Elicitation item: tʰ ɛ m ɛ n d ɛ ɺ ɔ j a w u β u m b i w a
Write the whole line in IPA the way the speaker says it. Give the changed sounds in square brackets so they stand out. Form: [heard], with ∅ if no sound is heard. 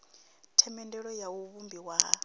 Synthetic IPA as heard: tʰ ɛ m ɛ n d ɛ ɺ ɔ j a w u β u m b i w a